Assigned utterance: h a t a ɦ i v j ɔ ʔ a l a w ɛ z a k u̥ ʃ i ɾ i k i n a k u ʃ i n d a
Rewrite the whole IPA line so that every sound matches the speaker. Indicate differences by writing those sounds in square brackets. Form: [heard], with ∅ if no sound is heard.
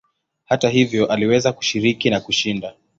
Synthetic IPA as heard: h a t a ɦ i v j ɔ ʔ a l [i] w ɛ z a k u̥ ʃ i ɾ i k i n a k u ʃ i n d a